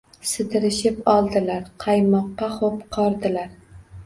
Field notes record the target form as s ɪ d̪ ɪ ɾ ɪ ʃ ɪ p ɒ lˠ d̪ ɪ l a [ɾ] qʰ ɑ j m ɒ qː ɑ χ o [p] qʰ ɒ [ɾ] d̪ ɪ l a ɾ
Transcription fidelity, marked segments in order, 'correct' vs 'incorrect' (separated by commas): correct, correct, correct